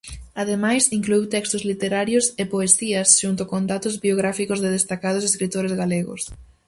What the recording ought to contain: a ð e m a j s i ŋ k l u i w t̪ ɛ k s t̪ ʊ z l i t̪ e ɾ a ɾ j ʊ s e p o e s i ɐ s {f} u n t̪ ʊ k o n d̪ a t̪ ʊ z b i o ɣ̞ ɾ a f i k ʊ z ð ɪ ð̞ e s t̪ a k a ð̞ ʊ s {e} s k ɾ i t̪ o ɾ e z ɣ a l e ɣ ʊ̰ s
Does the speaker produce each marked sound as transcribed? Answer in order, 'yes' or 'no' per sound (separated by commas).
no, yes